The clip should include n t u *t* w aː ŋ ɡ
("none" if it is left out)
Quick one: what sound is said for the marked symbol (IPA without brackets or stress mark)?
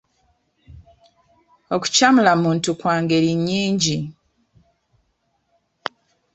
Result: k